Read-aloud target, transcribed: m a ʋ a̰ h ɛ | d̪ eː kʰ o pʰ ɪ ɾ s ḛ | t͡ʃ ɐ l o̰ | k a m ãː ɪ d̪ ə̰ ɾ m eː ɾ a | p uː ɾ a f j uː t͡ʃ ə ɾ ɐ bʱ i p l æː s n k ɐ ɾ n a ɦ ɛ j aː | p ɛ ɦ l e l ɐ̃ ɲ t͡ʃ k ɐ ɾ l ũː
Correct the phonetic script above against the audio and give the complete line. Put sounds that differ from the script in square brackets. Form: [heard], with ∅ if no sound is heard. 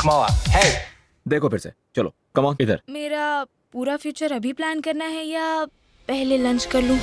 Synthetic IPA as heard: m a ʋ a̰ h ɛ | d̪ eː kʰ o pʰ ɪ ɾ s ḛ | t͡ʃ ɐ l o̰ | k [ɐ] m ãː ɪ d̪ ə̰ ɾ m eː ɾ a | p uː ɾ a f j uː t͡ʃ ə ɾ ɐ bʱ i p l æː [∅] n k ɐ ɾ n a ɦ ɛ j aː | p ɛ ɦ l e l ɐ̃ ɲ t͡ʃ k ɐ ɾ l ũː